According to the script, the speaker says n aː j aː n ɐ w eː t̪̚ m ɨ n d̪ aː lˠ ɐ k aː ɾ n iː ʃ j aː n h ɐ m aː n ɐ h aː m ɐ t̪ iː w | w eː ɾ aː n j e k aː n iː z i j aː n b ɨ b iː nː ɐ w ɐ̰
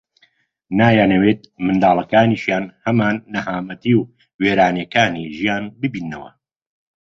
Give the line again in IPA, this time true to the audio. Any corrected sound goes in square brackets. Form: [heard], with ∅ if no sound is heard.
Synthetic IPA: n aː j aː n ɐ w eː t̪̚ m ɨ n d̪ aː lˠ ɐ k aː [∅] n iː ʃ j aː n h ɐ m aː [nː] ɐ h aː m ɐ t̪ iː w | w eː ɾ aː n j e k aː n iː [ʒ] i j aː n b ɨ b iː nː ɐ w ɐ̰